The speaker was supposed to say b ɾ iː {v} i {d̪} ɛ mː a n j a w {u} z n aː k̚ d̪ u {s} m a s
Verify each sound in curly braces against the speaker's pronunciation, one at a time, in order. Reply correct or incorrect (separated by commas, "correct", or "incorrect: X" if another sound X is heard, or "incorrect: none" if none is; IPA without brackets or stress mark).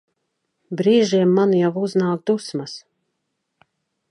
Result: incorrect: ʒ, incorrect: none, correct, correct